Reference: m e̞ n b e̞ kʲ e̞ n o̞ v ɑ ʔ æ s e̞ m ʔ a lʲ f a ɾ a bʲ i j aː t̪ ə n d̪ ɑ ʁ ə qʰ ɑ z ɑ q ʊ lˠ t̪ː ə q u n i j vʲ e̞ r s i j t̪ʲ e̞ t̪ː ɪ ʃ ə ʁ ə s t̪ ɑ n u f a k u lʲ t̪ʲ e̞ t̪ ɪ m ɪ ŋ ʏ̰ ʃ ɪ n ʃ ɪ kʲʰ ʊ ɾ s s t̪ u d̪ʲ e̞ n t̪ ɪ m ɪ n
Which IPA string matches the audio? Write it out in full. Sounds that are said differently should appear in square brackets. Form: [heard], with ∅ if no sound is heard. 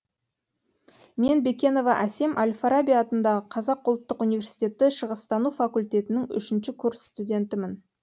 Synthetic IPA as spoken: m e̞ n b e̞ kʲ e̞ n o̞ v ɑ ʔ æ s e̞ m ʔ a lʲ f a ɾ a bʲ i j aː t̪ ə n d̪ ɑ ʁ ə qʰ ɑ z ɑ q ʊ lˠ t̪ː ə q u n i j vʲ e̞ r s i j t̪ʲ e̞ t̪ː ɪ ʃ ə ʁ ə s t̪ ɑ n u f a k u lʲ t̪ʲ e̞ t̪ ɪ [n] ɪ ŋ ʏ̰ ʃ ɪ n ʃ ɪ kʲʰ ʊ ɾ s s t̪ u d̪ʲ e̞ n t̪ ɪ m ɪ n